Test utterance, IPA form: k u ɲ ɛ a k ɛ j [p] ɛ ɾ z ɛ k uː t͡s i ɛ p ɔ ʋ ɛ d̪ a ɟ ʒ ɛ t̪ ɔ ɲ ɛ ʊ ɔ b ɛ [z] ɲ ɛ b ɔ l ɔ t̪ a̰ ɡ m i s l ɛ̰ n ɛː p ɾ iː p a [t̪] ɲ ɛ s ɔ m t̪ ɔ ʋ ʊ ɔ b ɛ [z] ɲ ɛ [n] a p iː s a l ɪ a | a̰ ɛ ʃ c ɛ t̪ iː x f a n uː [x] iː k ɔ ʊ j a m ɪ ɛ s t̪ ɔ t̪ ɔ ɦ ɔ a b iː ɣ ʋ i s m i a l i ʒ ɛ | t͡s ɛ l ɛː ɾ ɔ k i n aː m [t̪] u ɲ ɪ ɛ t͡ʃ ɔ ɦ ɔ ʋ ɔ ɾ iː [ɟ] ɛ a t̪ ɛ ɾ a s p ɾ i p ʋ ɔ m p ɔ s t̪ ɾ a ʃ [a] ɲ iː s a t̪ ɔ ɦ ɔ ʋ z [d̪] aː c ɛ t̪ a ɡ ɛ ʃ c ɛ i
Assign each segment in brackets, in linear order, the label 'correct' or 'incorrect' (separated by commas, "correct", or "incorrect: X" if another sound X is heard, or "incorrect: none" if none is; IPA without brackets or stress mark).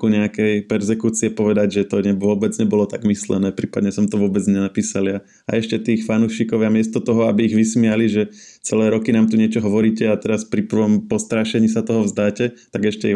correct, incorrect: d͡z, incorrect: d̪, incorrect: d͡z, correct, incorrect: ʃ, correct, incorrect: c, incorrect: ɛ, correct